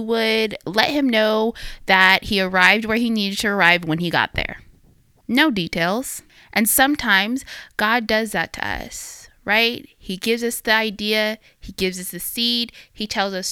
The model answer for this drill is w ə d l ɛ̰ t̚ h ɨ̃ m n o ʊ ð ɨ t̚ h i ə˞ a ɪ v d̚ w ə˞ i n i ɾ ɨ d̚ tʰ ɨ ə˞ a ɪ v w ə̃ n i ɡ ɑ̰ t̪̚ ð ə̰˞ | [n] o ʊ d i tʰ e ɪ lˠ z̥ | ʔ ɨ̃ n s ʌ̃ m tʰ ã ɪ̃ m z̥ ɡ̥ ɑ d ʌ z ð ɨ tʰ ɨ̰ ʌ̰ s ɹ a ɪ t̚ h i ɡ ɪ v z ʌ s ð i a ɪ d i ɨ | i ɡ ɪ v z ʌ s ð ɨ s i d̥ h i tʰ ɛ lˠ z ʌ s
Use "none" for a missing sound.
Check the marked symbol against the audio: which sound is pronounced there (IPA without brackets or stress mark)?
n